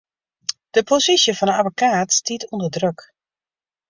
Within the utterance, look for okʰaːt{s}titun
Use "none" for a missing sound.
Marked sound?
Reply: s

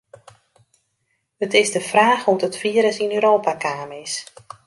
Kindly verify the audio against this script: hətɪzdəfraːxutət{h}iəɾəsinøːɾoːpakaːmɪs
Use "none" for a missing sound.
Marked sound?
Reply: f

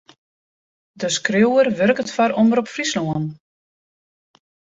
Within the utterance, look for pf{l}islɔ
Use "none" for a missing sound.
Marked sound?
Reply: r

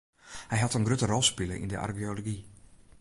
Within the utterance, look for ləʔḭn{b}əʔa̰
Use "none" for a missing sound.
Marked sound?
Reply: d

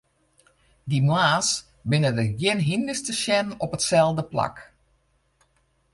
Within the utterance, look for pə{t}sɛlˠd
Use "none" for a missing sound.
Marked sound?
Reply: t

